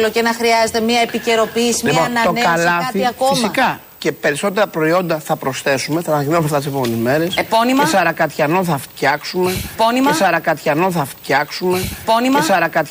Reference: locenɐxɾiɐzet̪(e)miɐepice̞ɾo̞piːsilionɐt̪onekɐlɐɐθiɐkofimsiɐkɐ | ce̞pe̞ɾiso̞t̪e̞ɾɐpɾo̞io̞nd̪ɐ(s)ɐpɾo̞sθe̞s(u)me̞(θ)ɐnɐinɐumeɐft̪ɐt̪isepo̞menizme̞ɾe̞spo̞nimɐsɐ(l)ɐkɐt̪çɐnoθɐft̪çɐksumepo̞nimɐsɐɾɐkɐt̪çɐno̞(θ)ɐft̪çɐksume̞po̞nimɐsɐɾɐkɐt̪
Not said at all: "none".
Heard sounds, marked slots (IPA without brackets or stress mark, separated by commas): e, θ, u, θ, ɾ, θ